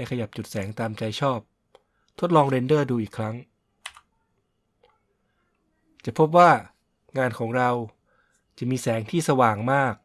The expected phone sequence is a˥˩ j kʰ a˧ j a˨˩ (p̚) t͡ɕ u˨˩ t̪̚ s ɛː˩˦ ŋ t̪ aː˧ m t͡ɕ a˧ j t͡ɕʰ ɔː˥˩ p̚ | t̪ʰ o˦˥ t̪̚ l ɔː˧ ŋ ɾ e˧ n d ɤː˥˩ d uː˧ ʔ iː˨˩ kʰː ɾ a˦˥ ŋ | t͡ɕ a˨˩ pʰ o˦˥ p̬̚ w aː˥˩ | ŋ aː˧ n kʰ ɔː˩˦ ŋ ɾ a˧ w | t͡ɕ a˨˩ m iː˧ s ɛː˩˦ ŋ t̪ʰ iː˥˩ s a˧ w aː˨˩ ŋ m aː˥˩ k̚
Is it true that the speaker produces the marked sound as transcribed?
yes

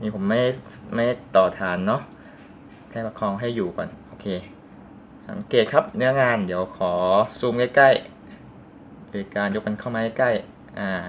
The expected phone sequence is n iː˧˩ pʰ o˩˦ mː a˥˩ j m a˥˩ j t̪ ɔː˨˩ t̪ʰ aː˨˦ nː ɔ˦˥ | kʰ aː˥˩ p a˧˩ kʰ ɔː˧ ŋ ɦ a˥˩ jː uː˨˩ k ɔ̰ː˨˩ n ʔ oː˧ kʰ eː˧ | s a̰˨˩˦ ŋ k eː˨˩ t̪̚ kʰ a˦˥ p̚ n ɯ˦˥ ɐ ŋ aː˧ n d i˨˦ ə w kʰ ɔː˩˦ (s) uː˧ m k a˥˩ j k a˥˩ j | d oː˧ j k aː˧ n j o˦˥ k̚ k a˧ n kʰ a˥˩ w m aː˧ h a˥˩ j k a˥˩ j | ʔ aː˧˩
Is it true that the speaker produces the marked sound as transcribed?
yes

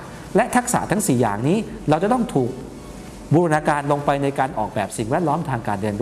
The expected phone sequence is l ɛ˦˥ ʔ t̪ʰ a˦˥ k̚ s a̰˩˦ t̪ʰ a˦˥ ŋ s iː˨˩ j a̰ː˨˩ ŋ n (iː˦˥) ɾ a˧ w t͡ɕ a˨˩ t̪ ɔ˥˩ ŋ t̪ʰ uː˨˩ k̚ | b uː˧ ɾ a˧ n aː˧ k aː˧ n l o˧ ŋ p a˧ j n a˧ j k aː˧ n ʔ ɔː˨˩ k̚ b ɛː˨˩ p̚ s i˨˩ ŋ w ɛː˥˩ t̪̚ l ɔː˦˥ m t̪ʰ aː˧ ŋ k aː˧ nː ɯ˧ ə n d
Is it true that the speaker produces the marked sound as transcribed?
yes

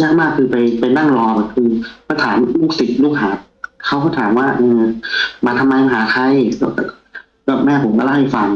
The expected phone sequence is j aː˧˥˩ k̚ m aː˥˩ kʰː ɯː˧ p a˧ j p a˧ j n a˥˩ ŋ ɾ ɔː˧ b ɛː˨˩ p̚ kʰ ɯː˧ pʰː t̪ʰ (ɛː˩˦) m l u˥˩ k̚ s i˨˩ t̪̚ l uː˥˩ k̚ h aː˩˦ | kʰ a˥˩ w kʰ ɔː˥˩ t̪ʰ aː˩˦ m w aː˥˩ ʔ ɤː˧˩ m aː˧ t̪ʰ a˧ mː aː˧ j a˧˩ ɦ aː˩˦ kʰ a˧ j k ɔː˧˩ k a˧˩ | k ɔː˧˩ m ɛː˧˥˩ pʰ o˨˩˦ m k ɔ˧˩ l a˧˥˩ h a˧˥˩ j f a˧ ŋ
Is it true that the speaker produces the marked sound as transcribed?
no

